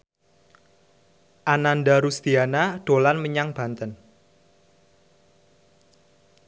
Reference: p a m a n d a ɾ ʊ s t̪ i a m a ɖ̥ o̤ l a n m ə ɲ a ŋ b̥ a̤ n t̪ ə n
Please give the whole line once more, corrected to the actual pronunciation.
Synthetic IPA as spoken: ʔ a n a n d a ɾ u s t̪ i a n a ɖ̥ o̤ l a n m ə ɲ a ŋ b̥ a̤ n t̪ ə n